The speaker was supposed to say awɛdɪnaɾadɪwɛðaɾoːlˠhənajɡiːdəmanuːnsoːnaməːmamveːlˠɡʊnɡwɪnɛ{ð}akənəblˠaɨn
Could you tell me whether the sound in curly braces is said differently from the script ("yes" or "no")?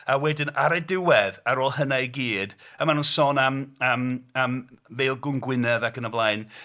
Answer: no